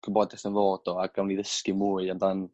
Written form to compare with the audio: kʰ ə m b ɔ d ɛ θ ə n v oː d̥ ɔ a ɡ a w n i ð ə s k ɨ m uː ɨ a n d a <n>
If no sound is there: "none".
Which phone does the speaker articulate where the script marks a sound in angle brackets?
n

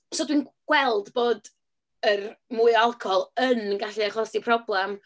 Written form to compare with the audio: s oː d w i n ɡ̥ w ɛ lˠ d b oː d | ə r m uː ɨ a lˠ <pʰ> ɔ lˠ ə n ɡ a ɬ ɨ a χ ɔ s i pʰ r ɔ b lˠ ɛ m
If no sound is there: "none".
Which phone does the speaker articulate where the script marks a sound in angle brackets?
kʰ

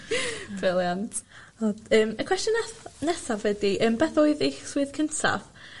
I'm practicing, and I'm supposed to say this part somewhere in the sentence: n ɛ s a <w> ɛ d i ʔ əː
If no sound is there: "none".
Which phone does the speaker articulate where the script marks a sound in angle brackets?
v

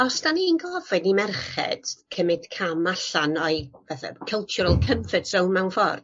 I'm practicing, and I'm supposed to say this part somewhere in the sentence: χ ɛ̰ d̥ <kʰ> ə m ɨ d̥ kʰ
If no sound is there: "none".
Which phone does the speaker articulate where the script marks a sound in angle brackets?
kʰ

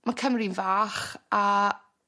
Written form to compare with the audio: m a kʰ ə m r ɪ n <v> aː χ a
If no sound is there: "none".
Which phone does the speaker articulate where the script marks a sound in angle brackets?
v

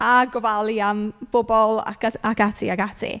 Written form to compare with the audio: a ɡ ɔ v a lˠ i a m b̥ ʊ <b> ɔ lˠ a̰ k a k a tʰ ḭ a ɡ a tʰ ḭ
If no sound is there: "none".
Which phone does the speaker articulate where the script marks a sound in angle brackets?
b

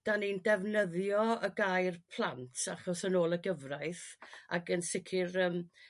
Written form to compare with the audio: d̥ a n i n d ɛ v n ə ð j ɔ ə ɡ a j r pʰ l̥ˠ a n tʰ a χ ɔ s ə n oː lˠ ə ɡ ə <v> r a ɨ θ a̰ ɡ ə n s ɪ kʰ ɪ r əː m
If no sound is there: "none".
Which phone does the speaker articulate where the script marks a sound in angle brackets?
v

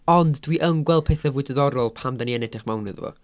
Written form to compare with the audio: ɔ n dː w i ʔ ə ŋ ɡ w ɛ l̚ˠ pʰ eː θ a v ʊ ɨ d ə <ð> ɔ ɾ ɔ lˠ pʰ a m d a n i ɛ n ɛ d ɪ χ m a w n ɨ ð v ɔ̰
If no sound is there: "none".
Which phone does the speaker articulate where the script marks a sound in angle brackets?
ð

